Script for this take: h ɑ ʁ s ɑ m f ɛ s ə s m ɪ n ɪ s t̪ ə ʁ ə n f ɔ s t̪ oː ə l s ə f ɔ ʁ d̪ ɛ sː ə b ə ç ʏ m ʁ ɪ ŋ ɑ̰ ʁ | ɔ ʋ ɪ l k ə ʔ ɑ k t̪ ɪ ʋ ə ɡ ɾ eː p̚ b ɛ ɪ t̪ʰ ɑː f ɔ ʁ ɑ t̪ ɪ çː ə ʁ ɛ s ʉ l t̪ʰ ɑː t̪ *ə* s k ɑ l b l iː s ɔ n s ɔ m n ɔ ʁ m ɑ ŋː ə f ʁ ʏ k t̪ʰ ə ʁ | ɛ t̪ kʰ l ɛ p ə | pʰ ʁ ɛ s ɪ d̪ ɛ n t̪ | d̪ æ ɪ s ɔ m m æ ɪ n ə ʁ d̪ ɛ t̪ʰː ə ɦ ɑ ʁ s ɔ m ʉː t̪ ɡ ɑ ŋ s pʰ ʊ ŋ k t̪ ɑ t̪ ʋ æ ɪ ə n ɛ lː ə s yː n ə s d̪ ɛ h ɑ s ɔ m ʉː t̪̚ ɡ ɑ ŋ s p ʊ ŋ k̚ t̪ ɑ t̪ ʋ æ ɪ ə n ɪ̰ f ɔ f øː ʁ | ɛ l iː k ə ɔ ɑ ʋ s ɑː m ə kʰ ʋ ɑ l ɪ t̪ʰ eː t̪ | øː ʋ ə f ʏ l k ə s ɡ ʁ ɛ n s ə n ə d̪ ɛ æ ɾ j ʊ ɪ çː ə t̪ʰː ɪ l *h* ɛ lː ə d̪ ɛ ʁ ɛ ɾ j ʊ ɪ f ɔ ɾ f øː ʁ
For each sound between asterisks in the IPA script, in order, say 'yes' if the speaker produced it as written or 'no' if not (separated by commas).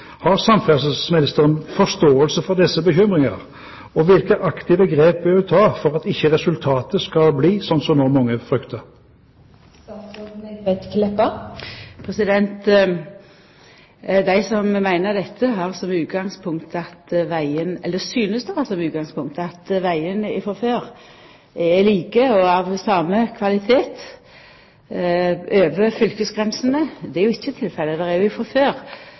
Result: yes, no